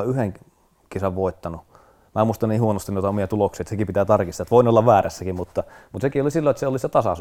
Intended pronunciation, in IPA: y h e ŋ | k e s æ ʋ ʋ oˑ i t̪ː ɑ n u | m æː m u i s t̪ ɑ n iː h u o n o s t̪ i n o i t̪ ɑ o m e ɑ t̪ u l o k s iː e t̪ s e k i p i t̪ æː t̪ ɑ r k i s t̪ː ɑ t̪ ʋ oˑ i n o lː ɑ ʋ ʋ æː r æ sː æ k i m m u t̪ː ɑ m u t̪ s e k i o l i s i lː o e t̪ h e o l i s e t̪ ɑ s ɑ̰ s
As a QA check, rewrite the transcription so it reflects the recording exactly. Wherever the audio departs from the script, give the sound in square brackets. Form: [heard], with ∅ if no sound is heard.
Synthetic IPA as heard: y h e ŋ | k e s æ ʋ ʋ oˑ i t̪ː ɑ n u | m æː m u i s t̪ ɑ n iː h u o n o s t̪ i n o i t̪ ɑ o m [i] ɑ t̪ u l o k s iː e t̪ s e k i p i t̪ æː t̪ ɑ r k i s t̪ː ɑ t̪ ʋ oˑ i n o lː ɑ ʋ ʋ æː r æ sː æ k i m m u t̪ː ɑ m u t̪ s e k i o l i s i lː o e t̪ [s] e o l i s e t̪ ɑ s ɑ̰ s